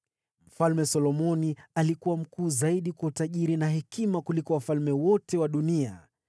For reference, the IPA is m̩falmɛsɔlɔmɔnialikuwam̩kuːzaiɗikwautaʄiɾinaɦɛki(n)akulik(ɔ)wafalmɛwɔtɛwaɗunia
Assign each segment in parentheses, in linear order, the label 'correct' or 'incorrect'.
incorrect, correct

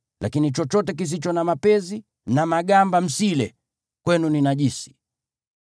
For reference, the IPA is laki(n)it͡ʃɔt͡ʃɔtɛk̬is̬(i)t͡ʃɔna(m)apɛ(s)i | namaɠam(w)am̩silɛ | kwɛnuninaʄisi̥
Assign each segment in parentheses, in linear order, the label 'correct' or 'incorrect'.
correct, correct, correct, incorrect, incorrect

